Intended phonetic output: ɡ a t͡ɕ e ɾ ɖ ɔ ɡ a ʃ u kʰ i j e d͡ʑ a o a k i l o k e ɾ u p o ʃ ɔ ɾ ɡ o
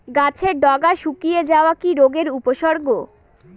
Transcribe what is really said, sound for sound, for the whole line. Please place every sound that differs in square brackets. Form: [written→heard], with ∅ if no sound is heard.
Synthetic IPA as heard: ɡ a [t͡ɕ→t͡ɕʰ] e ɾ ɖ ɔ ɡ a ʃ u [kʰ→k] i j e d͡ʑ a o a k i [l→ɾ] o [k→ɡ] e ɾ u p o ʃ ɔ ɾ ɡ o